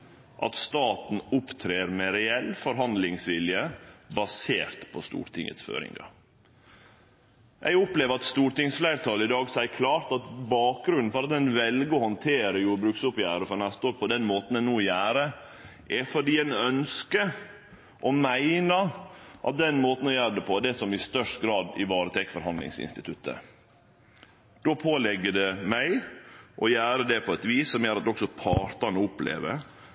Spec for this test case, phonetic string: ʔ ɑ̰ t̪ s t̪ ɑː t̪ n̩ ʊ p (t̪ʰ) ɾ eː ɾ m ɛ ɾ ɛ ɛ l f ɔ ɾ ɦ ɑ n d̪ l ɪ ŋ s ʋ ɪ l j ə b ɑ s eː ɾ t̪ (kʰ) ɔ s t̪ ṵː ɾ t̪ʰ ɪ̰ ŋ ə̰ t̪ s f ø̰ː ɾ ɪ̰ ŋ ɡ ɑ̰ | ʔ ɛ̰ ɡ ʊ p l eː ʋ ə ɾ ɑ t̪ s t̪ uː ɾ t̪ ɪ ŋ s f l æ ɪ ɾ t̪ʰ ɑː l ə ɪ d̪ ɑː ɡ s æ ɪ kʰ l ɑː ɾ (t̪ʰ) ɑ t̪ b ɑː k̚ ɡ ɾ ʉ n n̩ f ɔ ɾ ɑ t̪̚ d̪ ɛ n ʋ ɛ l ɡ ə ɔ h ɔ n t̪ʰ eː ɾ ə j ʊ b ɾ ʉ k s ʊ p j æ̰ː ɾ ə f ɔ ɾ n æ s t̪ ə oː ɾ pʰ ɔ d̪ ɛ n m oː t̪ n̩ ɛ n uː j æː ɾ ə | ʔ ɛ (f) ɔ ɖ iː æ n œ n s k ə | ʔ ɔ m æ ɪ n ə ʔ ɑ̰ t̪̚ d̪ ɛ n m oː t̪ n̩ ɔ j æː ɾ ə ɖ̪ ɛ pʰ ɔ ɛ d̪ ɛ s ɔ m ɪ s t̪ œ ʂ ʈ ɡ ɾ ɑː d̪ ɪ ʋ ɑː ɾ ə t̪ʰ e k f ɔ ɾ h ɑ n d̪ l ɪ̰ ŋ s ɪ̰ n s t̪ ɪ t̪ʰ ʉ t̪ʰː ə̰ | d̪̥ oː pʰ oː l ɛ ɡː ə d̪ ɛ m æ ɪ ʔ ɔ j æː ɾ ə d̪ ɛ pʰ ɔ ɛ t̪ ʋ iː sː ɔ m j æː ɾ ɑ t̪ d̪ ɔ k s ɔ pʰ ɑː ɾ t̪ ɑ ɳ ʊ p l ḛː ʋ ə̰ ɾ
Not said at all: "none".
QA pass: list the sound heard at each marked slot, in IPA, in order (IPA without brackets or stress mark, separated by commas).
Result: t̪ʰ, pʰ, t̪, f